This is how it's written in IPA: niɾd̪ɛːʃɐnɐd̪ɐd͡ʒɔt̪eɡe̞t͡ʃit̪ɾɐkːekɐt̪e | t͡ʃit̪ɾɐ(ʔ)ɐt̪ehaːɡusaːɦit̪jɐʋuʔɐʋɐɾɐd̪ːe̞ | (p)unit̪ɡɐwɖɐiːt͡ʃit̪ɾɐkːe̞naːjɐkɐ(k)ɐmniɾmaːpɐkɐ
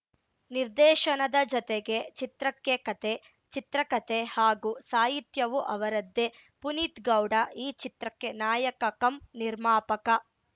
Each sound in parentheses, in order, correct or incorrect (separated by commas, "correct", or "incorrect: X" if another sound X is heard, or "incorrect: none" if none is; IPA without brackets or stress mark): incorrect: k, correct, correct